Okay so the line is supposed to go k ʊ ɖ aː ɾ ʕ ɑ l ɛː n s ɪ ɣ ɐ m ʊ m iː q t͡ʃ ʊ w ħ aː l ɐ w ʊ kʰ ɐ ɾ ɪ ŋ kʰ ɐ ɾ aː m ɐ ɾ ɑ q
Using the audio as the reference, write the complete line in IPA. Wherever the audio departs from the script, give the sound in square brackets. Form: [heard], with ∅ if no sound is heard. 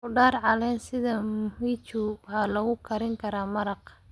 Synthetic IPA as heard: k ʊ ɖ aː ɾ ʕ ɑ l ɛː n s ɪ [ð] ɐ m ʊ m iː [∅] t͡ʃ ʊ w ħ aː l ɐ [ɣ] ʊ kʰ ɐ ɾ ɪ ŋ kʰ ɐ ɾ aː m ɐ ɾ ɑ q